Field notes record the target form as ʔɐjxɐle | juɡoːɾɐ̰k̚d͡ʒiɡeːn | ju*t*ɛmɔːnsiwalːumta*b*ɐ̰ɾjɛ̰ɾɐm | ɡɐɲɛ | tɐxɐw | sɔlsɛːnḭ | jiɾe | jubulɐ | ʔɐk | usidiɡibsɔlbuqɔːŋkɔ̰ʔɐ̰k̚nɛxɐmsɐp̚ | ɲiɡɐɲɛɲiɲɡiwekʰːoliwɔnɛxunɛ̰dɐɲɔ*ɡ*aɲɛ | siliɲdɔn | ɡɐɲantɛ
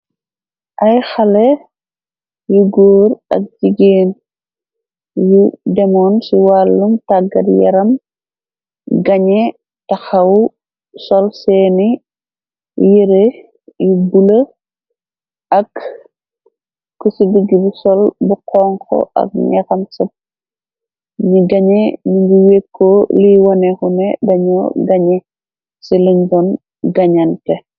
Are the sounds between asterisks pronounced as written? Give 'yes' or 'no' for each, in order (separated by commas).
no, no, yes